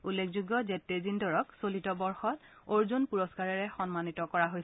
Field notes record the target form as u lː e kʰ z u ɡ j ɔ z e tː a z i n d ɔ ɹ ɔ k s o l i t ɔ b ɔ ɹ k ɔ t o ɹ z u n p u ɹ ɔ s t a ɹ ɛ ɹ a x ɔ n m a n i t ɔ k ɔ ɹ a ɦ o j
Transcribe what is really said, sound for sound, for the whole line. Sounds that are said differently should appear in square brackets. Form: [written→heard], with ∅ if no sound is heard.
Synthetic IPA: u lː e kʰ z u ɡ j ɔ z e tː [a→e] z i n d ɔ ɹ ɔ k s o l i t ɔ b ɔ ɹ [k→x] ɔ t o ɹ z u n p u ɹ ɔ s [t→k] a ɹ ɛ ɹ [a→ɛ] x ɔ n m a n i t ɔ k ɔ ɹ a ɦ o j

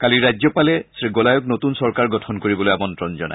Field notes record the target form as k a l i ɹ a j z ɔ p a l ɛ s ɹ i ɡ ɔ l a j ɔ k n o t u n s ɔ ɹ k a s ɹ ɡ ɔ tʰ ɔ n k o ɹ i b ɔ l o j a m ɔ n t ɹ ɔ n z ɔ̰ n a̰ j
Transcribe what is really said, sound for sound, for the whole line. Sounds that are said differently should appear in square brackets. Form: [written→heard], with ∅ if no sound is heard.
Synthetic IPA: k a l i ɹ a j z ɔ p a l ɛ s ɹ i ɡ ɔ l a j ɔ k n o t u n s ɔ ɹ k a [s→∅] ɹ ɡ ɔ tʰ ɔ n k o ɹ i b ɔ l o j a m ɔ n t ɹ ɔ n z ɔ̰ n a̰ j

